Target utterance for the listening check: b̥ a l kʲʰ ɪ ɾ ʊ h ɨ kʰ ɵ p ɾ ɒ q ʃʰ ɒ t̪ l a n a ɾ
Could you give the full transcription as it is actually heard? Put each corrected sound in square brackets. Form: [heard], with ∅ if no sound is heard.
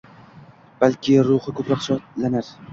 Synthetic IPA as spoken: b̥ a l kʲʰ ɪ ɾ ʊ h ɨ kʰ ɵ p ɾ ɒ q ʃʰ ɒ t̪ l a n a ɾ